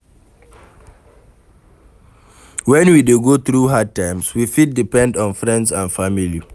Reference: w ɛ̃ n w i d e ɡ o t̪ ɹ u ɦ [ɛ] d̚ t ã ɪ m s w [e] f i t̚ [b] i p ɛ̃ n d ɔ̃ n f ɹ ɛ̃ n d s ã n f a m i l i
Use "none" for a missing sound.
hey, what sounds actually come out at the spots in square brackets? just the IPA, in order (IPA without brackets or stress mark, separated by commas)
a, i, d